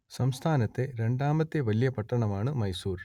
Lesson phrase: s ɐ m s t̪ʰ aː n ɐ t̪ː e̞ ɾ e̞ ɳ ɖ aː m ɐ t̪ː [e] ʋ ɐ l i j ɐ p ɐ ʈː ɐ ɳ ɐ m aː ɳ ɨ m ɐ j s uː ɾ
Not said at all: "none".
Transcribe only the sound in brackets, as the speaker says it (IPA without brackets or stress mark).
e